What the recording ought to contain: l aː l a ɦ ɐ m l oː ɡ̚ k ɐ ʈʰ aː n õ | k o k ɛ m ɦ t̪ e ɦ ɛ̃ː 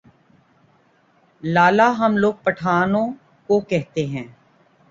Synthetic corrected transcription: l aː l a ɦ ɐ m l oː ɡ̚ p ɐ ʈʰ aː n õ | k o k ɛ ɦ t̪ e ɦ ɛ̃ː